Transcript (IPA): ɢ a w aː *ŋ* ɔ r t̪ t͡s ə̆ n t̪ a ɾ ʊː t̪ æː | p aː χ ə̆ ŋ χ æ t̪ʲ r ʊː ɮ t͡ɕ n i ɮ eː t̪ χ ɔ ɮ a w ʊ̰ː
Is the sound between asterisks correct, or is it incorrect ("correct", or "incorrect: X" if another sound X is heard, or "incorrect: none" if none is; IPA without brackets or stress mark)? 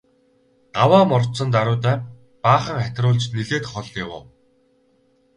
incorrect: m